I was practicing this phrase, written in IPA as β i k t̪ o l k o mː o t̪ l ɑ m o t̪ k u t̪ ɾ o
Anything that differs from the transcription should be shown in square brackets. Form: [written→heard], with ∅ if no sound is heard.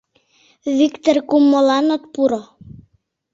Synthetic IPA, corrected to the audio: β i k t̪ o [l→r] k [o→u] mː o [t̪→∅] l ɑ [m→n] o t̪ [k→p] u [t̪→∅] ɾ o